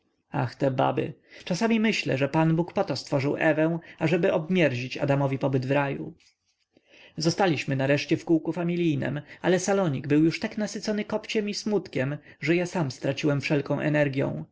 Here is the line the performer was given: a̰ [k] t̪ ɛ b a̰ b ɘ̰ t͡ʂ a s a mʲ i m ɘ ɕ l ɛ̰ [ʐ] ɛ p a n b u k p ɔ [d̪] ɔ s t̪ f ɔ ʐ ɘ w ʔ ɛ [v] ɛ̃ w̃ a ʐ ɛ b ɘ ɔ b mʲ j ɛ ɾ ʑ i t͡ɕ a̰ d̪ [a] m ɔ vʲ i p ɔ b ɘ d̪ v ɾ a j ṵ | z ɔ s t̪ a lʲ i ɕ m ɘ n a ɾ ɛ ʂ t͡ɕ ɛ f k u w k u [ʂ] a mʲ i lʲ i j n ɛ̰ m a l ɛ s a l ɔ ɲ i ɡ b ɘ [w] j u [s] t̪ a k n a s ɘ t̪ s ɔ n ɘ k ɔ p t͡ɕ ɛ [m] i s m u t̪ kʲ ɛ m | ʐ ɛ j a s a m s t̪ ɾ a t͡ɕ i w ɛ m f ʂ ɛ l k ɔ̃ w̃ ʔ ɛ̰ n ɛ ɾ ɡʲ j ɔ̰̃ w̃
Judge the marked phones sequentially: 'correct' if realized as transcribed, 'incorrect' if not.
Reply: incorrect: x, correct, incorrect: t̪, correct, correct, incorrect: f, correct, incorrect: ʂ, correct

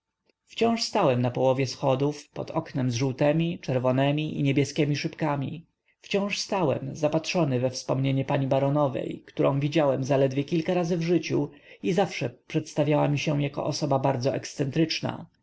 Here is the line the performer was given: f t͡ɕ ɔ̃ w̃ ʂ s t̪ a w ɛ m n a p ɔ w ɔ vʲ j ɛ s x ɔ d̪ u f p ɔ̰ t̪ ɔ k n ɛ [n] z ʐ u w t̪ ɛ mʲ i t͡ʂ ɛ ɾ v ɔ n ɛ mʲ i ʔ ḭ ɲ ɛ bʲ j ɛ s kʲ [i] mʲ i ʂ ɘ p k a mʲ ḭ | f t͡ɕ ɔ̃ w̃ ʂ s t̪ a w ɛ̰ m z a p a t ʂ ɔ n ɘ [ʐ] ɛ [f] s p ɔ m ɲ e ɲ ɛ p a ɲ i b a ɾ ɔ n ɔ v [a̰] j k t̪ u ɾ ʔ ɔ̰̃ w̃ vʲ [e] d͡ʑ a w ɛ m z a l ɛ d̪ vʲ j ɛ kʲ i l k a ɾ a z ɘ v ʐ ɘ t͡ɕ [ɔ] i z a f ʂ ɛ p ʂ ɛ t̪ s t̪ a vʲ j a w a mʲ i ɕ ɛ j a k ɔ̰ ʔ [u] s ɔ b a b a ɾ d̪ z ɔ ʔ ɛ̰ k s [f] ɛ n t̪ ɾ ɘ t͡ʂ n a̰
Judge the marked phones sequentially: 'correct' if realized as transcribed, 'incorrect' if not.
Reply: incorrect: m, incorrect: ɛ, incorrect: v, correct, incorrect: ɛ̰, incorrect: i, incorrect: u, incorrect: ɔ, incorrect: s

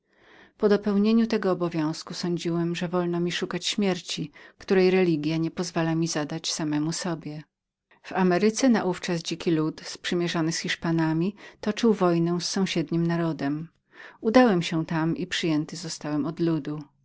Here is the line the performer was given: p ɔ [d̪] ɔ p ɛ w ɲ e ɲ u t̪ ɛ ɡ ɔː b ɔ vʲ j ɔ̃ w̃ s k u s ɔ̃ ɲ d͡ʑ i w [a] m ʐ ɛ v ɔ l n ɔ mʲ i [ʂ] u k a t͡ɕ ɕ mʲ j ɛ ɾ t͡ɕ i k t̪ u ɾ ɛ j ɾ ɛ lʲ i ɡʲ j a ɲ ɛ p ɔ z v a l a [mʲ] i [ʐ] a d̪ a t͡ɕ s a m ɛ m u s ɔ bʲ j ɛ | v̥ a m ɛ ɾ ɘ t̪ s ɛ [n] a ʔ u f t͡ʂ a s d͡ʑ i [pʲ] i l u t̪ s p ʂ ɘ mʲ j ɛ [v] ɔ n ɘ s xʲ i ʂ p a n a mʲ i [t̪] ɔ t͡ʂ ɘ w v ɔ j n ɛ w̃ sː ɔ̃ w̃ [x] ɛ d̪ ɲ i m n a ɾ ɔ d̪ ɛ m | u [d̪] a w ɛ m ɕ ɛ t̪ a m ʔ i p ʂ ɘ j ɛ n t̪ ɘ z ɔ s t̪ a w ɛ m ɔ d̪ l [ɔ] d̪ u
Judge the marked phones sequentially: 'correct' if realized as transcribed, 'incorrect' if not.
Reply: correct, incorrect: ɛ, correct, correct, incorrect: z, correct, incorrect: kʲ, incorrect: ʐ, correct, incorrect: ɕ, correct, incorrect: u

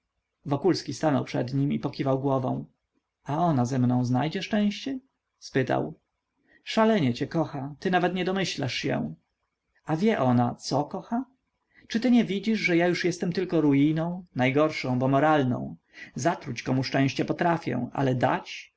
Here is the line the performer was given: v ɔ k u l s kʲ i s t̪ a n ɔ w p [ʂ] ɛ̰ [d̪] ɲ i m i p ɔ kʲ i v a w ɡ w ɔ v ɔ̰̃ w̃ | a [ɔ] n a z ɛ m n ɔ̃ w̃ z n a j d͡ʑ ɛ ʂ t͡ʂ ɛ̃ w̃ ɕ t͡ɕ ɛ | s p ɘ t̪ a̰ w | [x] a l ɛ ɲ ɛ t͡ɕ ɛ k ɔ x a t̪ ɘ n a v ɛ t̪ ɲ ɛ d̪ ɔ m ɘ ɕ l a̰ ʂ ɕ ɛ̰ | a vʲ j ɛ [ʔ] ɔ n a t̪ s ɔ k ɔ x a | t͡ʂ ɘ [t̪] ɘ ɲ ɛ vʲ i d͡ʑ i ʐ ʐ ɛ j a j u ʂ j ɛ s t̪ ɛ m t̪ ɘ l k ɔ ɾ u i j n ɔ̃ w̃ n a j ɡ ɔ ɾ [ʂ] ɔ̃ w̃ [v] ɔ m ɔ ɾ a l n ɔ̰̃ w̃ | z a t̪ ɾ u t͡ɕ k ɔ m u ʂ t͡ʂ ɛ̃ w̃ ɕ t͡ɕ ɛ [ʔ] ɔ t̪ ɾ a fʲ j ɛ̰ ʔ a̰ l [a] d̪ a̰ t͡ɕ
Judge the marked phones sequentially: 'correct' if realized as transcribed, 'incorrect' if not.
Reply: correct, correct, correct, incorrect: ʂ, correct, correct, correct, incorrect: b, incorrect: p, incorrect: ɛ

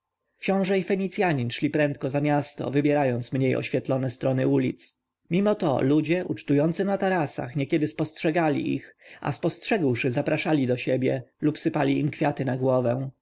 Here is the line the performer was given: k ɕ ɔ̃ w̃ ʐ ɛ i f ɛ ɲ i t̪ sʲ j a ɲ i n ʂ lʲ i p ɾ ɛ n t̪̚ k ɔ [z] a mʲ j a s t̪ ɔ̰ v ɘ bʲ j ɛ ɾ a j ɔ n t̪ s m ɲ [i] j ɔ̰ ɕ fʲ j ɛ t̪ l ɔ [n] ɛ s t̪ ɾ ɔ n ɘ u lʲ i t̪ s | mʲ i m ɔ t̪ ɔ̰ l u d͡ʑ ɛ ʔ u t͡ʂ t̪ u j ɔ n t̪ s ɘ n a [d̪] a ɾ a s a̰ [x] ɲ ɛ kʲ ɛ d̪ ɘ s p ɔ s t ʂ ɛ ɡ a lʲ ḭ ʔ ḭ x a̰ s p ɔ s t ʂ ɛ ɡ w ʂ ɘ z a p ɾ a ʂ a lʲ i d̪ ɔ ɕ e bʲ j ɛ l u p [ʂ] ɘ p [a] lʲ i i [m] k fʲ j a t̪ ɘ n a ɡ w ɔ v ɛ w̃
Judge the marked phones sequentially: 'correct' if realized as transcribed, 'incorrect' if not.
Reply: correct, incorrect: e, correct, incorrect: t̪, correct, incorrect: s, correct, correct

